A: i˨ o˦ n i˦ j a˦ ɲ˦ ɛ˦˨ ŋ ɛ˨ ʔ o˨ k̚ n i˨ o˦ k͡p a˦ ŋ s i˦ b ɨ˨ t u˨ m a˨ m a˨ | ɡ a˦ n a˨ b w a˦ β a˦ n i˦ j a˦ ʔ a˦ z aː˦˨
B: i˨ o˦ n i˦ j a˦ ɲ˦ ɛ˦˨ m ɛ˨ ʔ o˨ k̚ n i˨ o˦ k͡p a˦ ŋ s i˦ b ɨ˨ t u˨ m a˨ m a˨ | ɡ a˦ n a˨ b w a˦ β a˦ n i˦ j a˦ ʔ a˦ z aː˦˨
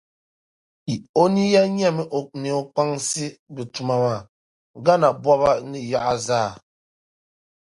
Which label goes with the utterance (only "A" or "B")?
B